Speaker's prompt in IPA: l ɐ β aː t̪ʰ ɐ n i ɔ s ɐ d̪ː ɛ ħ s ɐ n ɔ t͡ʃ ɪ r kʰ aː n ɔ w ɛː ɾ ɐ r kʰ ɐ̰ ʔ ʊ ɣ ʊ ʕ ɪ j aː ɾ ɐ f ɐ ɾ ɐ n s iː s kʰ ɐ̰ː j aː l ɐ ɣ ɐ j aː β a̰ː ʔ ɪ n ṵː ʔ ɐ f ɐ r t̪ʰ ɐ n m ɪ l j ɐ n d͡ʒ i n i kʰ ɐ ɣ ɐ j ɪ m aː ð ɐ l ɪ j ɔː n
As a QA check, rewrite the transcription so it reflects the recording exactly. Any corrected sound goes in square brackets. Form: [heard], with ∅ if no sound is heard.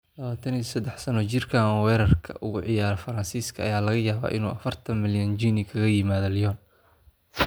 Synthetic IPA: l ɐ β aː t̪ʰ ɐ n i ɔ s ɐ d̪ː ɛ ħ s ɐ n ɔ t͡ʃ ɪ r kʰ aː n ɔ w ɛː ɾ ɐ r kʰ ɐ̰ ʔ ʊ ɣ ʊ ʕ ɪ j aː ɾ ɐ f ɐ ɾ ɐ n s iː s kʰ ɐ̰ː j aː l ɐ ɣ ɐ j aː β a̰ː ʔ ɪ n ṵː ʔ ɐ f ɐ r t̪ʰ ɐ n m ɪ l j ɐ n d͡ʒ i n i kʰ ɐ ɣ ɐ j ɪ m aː ð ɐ l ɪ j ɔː n